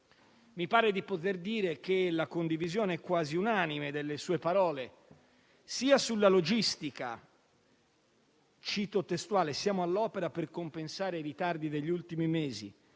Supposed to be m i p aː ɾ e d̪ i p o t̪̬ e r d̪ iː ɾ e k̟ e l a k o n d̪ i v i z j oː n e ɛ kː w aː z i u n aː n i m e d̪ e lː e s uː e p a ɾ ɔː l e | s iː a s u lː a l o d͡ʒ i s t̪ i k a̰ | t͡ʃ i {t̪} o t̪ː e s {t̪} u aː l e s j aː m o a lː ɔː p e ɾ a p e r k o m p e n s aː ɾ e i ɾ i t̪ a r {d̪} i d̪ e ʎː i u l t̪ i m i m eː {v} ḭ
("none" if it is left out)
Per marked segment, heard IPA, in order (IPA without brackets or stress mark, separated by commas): t̪, t̪, d̪, z